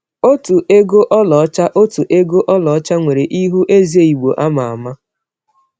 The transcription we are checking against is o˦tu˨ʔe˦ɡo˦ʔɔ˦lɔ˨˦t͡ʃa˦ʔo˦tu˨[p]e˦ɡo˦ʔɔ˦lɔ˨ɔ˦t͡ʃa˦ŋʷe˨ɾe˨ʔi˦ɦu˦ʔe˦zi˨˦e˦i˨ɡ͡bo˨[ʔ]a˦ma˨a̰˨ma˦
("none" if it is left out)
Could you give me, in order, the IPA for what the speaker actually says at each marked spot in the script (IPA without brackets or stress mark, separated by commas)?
ʔ, ʔ